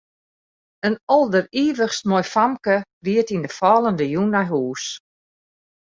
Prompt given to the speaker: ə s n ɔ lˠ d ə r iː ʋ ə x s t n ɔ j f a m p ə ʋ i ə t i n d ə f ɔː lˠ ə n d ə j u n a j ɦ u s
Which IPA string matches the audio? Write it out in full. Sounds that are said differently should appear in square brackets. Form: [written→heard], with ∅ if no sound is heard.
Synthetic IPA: ə [s→∅] n ɔ lˠ d ə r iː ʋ ə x s t [n→m] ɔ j f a m [p→k] ə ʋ i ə t i n d ə f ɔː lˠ ə n d ə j u n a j ɦ [u→uː] s

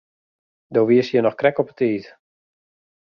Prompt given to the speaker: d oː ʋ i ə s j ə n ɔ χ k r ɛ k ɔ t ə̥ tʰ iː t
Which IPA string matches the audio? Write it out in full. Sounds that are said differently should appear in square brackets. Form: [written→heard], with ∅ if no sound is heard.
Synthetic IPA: d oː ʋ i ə s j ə n ɔ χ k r ɛ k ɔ [t→p] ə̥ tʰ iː t

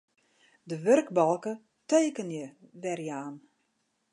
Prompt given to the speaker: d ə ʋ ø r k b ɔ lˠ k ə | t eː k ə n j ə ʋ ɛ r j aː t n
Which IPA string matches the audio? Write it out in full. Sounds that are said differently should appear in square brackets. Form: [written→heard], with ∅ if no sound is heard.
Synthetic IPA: d ə ʋ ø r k b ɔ lˠ k ə | t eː k ə n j ə ʋ ɛ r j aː [t→∅] n

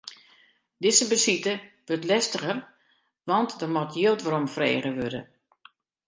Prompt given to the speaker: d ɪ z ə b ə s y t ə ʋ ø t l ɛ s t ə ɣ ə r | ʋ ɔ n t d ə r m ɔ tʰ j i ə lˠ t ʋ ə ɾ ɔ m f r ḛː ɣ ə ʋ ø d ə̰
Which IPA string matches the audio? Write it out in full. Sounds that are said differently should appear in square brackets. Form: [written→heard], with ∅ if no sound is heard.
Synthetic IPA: d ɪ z ə b ə s [y→i] t ə ʋ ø t l ɛ s t ə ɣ ə r | ʋ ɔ n t d ə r m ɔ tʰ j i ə lˠ t ʋ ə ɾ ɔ m f r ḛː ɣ ə ʋ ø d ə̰

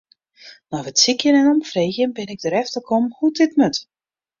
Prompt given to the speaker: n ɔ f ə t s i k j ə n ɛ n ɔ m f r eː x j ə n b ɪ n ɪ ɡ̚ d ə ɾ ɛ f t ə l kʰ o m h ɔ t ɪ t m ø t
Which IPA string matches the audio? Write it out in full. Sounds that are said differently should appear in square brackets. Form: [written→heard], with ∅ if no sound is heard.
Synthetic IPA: n ɔ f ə t s i k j ə n ɛ n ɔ m f r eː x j ə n b ɪ n ɪ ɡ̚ d ə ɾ ɛ f t ə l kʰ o m h [ɔ→u] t ɪ t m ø t

